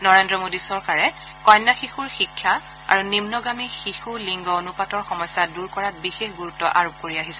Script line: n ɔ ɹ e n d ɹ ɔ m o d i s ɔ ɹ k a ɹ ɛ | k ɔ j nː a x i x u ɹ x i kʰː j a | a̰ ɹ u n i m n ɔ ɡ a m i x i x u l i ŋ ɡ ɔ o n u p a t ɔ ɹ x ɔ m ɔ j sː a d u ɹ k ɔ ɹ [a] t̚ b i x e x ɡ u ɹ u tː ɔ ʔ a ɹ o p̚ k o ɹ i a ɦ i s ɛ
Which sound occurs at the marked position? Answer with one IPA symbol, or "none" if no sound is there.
a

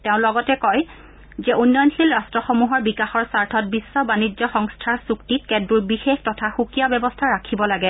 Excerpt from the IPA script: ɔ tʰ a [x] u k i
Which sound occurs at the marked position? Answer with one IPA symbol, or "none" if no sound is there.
x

